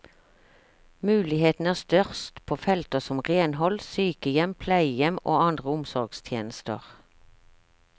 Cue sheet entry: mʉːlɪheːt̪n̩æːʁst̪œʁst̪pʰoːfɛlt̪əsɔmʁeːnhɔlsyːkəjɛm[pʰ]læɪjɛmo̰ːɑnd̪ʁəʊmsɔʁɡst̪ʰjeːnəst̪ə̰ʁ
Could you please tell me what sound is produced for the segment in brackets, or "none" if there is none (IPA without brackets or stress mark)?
pʰ